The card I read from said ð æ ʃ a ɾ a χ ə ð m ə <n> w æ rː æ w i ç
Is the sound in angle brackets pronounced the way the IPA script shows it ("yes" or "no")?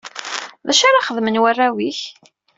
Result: yes